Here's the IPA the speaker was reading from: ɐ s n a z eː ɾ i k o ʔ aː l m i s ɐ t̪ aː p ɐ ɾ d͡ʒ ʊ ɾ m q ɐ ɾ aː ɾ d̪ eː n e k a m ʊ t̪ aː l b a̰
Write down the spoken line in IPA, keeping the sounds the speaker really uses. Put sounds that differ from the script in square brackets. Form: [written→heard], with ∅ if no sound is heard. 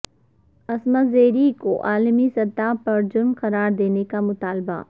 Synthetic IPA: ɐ s [n→m] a z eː ɾ i k o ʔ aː l m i s ɐ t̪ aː p ɐ ɾ d͡ʒ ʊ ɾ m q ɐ ɾ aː ɾ d̪ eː n e k a m ʊ t̪ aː l b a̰